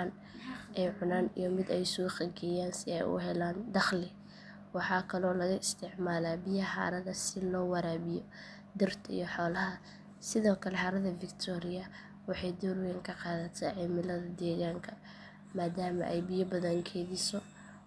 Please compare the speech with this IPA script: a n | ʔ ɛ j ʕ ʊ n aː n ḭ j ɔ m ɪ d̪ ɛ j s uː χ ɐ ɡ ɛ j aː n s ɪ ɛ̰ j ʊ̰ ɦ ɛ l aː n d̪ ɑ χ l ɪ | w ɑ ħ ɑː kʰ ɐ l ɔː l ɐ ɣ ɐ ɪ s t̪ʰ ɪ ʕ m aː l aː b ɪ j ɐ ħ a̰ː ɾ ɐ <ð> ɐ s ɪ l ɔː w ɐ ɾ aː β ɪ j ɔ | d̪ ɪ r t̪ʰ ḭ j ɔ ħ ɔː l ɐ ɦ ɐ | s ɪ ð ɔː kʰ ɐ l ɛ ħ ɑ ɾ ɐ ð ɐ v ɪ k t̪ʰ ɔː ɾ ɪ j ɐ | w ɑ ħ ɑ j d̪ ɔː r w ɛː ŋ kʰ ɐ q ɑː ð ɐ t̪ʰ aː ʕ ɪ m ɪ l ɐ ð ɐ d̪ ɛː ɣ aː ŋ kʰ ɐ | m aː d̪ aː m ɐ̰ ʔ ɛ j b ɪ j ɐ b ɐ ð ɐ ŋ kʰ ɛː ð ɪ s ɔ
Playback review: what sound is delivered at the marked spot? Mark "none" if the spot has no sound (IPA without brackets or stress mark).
ð